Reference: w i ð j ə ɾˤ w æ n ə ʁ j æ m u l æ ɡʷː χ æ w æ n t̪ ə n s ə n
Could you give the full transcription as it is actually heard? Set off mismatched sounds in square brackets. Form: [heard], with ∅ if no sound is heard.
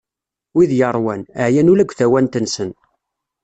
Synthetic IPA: w i ð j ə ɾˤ w æ n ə [ʕ] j æ [n] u l æ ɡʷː [θ] æ w æ n t̪ ə n s ə n